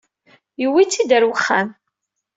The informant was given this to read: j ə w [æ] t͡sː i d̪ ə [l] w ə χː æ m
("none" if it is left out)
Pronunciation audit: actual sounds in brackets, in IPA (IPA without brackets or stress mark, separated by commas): i, ɾ